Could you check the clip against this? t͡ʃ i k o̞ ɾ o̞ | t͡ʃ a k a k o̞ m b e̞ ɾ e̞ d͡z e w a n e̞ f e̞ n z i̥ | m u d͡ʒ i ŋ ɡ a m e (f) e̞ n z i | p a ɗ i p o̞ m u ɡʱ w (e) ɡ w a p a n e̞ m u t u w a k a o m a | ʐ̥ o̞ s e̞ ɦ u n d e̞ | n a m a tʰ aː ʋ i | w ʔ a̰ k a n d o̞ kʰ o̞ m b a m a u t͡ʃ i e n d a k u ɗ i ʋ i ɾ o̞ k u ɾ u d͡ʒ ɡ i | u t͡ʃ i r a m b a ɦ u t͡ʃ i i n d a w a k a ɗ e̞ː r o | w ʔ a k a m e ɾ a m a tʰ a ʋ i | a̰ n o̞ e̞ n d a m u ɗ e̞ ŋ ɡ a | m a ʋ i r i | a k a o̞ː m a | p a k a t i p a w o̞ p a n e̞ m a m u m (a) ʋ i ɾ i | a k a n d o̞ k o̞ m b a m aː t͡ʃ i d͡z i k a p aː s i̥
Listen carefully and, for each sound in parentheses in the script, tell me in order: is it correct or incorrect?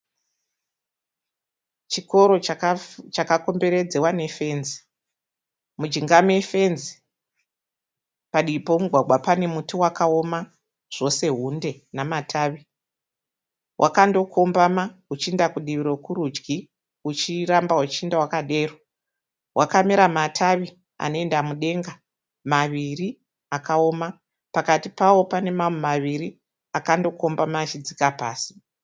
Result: correct, incorrect, correct

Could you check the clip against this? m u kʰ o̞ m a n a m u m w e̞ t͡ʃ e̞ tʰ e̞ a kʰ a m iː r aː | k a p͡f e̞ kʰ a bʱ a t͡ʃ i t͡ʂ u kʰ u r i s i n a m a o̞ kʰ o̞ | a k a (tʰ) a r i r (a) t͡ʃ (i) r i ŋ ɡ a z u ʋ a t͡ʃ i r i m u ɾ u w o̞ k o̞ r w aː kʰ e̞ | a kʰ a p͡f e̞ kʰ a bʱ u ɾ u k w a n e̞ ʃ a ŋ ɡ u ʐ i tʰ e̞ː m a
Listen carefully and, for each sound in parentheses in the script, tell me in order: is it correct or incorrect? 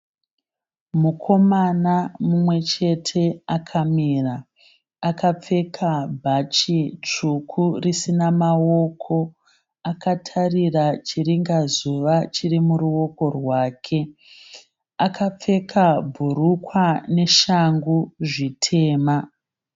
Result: correct, correct, correct

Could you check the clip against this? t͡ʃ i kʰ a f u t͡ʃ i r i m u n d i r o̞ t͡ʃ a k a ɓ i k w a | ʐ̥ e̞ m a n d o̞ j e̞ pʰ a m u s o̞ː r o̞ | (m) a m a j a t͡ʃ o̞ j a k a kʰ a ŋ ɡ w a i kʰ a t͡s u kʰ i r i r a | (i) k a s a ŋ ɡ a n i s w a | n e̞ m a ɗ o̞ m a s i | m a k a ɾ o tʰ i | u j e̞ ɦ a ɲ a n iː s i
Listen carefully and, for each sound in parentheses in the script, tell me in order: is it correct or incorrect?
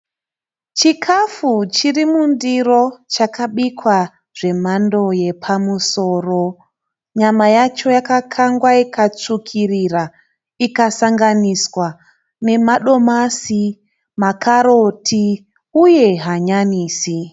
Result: incorrect, correct

